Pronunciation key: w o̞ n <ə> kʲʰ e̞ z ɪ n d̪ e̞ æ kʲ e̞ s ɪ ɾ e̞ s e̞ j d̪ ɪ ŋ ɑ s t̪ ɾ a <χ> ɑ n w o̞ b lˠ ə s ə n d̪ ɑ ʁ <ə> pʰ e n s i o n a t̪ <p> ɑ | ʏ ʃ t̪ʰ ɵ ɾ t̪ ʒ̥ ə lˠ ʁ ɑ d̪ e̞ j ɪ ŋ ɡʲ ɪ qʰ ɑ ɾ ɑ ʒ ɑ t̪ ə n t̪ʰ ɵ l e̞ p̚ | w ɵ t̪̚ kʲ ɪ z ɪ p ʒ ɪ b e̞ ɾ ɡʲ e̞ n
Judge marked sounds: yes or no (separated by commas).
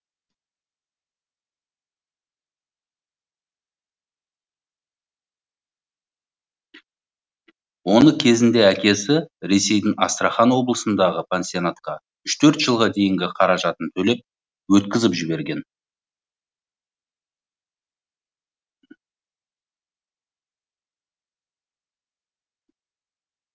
yes, yes, yes, no